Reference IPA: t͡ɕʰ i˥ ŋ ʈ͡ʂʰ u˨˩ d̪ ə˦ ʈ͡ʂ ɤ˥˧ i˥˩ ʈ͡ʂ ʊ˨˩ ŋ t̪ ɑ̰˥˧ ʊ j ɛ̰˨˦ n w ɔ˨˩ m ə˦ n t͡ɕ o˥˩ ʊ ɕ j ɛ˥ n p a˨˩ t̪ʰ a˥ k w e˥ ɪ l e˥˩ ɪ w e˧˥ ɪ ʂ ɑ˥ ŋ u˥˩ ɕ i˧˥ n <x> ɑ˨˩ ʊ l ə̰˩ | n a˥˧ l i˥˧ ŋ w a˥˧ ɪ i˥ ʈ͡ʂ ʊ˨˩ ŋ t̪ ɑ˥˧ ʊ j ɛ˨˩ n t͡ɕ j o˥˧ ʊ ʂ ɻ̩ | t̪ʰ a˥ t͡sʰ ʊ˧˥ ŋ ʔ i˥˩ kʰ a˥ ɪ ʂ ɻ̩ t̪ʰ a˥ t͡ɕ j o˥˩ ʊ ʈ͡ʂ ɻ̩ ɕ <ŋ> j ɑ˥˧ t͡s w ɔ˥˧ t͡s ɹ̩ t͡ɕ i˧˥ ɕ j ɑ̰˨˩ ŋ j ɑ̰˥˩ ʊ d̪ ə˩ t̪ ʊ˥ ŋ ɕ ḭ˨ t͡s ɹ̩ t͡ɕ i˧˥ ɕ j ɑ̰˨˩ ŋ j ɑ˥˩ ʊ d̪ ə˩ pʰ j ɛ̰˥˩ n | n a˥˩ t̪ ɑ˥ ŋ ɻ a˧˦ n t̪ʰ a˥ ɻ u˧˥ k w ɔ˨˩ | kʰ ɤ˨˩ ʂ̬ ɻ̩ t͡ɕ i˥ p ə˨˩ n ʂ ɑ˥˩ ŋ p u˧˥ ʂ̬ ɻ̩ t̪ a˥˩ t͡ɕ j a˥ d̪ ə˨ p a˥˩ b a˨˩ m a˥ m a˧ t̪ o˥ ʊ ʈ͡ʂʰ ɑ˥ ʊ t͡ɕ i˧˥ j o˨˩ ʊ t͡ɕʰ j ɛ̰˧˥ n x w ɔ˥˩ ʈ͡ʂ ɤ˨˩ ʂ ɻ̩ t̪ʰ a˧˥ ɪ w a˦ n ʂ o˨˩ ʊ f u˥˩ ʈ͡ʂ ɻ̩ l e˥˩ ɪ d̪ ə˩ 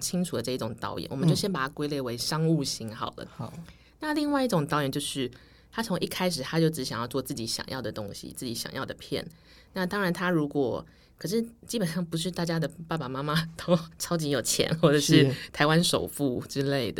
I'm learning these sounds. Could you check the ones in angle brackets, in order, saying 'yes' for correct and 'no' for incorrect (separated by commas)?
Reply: yes, yes